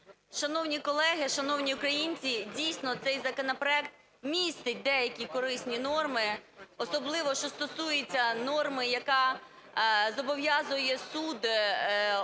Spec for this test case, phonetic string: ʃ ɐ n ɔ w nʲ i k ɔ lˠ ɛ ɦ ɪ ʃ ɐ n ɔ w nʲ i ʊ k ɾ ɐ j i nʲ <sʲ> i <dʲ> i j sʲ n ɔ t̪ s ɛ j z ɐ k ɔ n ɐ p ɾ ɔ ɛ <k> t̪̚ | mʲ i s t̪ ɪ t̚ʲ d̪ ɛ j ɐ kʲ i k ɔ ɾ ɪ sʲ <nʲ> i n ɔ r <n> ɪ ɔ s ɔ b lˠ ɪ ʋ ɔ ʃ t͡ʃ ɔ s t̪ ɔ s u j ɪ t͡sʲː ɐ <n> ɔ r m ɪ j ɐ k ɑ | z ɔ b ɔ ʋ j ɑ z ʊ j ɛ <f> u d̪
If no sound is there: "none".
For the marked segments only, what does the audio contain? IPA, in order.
t͡sʲ, dʲ, k, nʲ, m, n, s

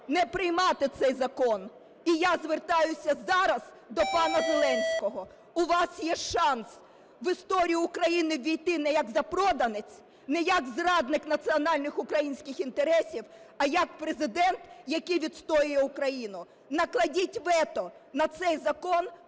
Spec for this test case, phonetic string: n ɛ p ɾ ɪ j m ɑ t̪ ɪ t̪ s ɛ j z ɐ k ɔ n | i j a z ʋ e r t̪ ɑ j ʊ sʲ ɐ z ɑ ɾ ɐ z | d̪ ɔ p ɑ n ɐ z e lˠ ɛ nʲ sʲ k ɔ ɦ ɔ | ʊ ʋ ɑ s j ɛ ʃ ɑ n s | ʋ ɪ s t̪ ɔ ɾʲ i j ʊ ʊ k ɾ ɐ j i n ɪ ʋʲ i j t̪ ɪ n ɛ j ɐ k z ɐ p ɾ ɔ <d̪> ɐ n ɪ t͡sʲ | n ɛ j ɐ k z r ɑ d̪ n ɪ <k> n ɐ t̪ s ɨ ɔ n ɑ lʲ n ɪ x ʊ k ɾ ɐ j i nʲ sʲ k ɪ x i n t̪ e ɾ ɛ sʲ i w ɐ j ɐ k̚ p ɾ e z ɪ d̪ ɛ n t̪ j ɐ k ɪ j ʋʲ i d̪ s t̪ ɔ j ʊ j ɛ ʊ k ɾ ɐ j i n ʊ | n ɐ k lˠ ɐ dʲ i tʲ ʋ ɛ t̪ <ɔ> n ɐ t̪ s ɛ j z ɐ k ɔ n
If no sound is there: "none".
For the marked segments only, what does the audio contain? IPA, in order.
d̪, k, ɔ

